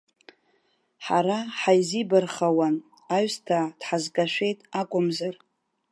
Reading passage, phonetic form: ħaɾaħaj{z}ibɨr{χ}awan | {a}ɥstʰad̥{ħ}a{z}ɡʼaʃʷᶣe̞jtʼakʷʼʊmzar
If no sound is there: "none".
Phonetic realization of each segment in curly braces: z, χ, a, ħ, z

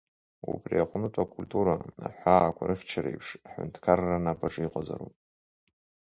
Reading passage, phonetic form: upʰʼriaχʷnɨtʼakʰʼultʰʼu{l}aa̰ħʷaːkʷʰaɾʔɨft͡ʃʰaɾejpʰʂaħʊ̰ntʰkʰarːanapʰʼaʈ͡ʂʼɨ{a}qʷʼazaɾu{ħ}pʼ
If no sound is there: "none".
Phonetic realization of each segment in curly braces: ɾ, i, none

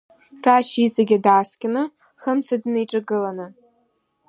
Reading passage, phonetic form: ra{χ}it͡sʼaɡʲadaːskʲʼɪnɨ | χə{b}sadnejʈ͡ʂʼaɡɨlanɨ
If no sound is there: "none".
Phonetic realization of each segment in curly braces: ʃ, m

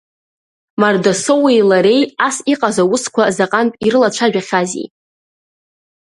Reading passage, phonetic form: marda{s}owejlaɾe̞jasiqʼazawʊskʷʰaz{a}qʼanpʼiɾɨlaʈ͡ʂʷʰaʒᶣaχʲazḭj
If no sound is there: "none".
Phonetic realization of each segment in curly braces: s, a

